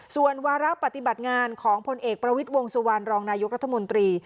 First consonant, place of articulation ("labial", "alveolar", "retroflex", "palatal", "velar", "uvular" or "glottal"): alveolar